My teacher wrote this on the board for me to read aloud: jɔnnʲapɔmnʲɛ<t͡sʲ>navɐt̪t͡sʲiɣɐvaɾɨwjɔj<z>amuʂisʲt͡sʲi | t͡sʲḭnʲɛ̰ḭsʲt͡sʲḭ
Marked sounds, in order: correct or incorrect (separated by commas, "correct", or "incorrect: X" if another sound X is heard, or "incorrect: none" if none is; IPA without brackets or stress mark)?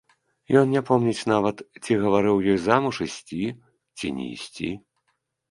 correct, correct